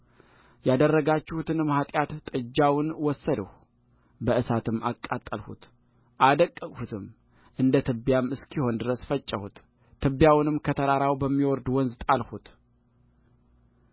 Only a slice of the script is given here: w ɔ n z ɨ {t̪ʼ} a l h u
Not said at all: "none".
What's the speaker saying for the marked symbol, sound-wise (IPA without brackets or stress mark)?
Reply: t̪ʼ